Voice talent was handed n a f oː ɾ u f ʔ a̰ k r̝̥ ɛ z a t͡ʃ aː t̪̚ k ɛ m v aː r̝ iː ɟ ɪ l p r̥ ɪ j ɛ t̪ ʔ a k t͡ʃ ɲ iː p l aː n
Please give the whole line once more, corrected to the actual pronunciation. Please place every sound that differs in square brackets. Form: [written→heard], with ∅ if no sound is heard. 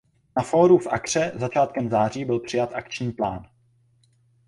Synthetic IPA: n a f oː ɾ u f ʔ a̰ k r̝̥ ɛ z a t͡ʃ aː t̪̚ k ɛ m [v→z] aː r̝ iː [ɟ→b] ɪ l p r̥ ɪ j [ɛ→a] t̪ ʔ a k t͡ʃ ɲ iː p l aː n